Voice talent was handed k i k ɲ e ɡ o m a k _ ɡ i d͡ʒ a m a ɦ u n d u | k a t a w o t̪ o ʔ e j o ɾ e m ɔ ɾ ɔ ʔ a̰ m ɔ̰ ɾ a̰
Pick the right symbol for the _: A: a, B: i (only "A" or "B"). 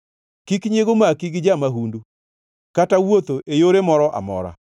B